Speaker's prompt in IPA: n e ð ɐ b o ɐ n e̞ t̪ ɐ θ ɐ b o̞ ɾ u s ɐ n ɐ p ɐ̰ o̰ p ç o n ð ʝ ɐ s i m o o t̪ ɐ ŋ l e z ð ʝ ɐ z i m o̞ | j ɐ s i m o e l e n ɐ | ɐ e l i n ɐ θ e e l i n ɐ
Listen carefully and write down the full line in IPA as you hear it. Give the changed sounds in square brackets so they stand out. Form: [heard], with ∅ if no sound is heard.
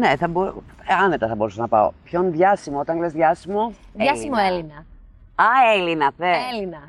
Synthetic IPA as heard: n e [θ] ɐ b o ɐ n e̞ t̪ ɐ θ ɐ b o̞ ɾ u s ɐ n ɐ p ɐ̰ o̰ p ç o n ð ʝ ɐ s i m o o t̪ ɐ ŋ l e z ð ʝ ɐ [s] i m o̞ | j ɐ s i m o e l [i] n ɐ | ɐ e l i n ɐ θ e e l i n ɐ